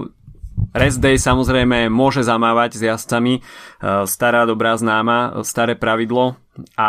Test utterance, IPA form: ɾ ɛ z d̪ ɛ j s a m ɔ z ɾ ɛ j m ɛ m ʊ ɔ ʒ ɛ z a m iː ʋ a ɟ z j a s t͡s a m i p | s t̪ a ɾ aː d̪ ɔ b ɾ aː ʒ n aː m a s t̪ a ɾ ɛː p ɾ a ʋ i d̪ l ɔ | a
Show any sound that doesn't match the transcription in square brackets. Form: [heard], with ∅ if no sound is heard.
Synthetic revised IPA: ɾ ɛ z d̪ ɛ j s a m ɔ z ɾ ɛ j m ɛ m ʊ ɔ ʒ ɛ z a m [aː] ʋ a ɟ z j a s t͡s a m i [∅] | s t̪ a ɾ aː d̪ ɔ b ɾ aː [z] n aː m a s t̪ a ɾ ɛː p ɾ a ʋ i d̪ l ɔ | a